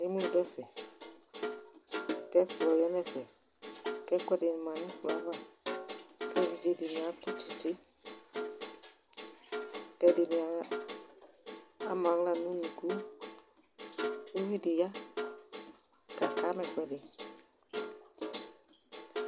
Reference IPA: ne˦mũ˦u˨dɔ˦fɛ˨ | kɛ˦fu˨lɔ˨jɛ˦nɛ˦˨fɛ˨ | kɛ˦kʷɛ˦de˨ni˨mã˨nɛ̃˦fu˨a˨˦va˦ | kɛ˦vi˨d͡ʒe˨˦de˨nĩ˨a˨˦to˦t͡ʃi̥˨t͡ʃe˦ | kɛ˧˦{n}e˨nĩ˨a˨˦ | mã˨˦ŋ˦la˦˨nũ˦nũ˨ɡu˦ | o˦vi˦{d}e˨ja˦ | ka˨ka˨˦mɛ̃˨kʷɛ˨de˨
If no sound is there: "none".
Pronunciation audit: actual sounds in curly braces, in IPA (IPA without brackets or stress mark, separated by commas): d, d